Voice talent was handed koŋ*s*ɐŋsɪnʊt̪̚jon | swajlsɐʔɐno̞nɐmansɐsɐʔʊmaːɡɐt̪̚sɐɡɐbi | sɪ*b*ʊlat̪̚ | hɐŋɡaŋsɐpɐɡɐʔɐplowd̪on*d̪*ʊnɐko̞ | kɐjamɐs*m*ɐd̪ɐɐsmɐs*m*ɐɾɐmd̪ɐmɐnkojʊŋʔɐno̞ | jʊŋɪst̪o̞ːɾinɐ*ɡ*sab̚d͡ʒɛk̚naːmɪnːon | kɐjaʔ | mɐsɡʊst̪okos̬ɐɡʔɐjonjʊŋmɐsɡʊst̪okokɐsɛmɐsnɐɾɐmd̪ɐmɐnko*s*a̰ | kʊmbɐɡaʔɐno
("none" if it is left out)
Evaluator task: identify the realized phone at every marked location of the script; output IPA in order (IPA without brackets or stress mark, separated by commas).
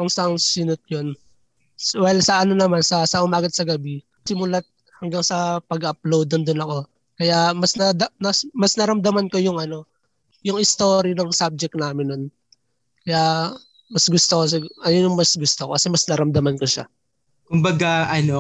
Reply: s, m, d̪, n, n, ŋ, ʃ